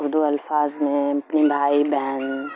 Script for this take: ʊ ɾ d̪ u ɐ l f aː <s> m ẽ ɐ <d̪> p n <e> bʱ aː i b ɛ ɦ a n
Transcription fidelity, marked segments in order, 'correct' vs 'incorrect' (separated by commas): incorrect, incorrect, incorrect